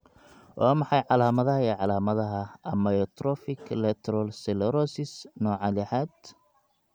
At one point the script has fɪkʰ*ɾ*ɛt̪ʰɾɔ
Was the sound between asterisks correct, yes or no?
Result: no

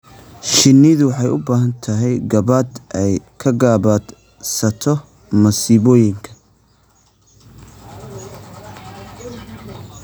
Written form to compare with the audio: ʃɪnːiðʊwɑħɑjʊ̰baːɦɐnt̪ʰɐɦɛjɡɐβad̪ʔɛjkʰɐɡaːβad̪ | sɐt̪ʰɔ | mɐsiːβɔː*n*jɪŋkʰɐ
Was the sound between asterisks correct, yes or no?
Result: no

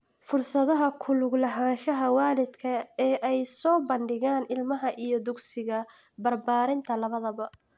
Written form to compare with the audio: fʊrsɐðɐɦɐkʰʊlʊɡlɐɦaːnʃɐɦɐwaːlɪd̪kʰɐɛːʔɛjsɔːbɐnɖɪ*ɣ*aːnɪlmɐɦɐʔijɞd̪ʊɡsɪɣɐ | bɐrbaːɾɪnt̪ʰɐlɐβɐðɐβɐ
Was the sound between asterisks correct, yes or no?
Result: yes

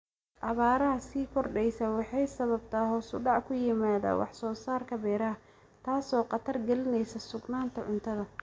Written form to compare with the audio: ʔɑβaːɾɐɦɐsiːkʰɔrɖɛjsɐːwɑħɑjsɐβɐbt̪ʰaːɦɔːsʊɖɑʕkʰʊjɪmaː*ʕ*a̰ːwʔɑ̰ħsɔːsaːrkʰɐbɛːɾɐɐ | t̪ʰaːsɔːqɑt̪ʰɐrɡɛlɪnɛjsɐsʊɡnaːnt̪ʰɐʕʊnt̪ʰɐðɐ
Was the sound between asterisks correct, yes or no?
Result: no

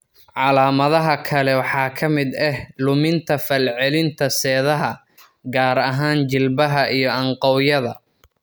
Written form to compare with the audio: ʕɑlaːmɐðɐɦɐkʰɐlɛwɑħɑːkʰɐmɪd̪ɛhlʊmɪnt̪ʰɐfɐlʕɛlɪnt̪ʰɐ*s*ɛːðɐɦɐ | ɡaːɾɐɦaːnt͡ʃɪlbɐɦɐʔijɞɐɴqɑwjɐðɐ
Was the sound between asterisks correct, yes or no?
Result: yes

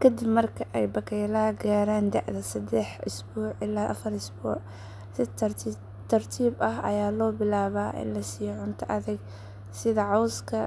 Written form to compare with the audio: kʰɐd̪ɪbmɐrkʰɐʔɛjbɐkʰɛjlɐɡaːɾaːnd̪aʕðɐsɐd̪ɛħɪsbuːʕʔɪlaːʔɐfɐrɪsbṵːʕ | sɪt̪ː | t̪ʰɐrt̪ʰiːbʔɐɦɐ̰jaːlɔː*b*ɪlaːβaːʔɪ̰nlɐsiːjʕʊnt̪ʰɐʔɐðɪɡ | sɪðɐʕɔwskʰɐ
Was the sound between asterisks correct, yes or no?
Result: yes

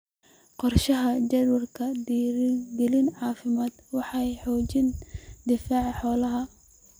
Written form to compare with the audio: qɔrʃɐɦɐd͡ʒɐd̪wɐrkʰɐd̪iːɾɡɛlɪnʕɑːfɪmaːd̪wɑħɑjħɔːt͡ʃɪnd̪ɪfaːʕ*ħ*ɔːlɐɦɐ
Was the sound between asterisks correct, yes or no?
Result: yes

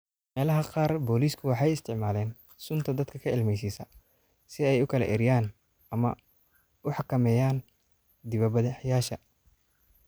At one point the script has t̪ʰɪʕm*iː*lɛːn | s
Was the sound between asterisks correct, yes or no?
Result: no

